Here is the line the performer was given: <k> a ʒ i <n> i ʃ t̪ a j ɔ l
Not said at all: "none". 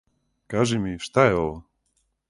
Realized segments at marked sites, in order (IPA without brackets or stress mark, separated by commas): k, m